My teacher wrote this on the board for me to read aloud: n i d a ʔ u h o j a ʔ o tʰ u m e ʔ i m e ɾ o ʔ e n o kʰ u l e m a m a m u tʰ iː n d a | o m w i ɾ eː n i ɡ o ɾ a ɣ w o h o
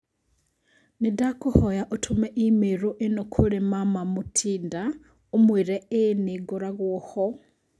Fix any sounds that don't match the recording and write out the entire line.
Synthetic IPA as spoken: n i d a k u h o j a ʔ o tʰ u m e ʔ i m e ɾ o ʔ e n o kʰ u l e m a m a m u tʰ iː n d a | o m w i ɾ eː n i ɡ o ɾ a ɣ w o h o